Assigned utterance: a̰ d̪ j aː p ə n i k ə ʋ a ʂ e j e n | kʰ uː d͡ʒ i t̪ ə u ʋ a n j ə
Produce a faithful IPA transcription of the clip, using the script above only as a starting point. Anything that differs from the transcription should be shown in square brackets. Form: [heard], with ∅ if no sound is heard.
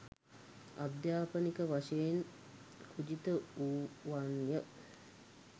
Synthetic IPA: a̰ d̪ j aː p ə n i k ə ʋ a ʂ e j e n | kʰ [u] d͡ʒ i t̪ ə u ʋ a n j ə

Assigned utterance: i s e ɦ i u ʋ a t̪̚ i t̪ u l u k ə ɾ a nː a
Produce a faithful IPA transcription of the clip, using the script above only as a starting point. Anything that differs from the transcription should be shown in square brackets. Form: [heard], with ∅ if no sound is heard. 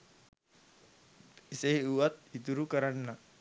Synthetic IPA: i s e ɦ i u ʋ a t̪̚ i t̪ u [ɾ] u k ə ɾ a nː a

